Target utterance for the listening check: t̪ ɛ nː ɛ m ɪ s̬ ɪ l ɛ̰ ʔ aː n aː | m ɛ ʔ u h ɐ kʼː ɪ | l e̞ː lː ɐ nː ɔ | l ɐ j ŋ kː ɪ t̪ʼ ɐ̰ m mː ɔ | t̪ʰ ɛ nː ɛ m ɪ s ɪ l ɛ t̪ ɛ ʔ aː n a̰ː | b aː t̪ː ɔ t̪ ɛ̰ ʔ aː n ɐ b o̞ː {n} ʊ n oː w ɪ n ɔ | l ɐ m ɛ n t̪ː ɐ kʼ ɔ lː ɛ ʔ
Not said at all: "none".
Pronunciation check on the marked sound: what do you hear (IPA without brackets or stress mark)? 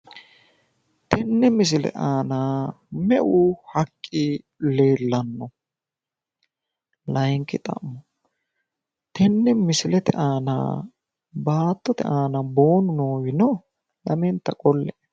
n